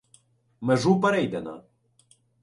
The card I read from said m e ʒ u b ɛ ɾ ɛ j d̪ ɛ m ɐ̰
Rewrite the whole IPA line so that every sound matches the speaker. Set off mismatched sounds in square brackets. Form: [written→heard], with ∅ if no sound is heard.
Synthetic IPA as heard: m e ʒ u [b→p] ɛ ɾ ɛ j d̪ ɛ [m→n] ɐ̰